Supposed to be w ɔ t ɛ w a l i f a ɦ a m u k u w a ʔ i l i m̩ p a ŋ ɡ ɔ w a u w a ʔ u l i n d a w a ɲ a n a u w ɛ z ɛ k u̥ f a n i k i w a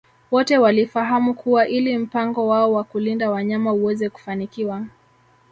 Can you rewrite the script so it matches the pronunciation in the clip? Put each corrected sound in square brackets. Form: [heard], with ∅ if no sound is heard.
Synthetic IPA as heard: w ɔ t ɛ w a l i f a ɦ a m u k u w a ʔ i l i m̩ p a ŋ ɡ ɔ w a [ɔ] w a [k] u l i n d a w a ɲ a [m] a u w ɛ z ɛ k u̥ f a n i k i w a